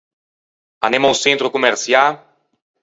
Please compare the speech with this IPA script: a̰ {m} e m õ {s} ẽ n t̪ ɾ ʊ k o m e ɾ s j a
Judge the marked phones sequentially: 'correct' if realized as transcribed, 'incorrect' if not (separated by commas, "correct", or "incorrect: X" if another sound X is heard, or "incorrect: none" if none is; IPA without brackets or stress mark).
incorrect: n, correct